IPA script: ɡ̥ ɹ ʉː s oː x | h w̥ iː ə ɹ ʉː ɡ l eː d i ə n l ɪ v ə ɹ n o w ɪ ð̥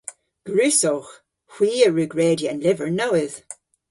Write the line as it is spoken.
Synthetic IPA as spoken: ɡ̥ ɹ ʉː s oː x | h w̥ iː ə ɹ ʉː ɡ ɹ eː d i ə n l ɪ v ə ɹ n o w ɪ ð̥